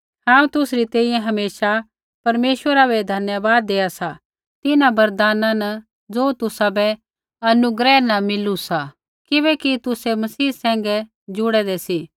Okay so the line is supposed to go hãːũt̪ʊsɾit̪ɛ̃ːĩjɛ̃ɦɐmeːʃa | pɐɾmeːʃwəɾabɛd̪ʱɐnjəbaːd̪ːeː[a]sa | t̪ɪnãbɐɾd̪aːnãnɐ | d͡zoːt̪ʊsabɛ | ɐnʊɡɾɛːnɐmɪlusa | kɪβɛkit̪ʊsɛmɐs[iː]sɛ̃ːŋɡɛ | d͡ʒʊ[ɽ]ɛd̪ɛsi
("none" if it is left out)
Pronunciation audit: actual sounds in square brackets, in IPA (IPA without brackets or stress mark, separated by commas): a, iː, ɽ